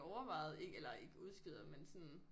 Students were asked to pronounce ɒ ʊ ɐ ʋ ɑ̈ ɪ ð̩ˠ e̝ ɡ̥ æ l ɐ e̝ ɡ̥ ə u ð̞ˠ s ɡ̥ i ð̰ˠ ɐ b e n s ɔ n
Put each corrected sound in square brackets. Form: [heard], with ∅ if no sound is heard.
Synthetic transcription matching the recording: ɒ ʊ ɐ ʋ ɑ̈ ɪ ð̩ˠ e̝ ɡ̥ [e] l ɐ e̝ ɡ̥ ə u ð̞ˠ s ɡ̥ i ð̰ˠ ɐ [m] e n s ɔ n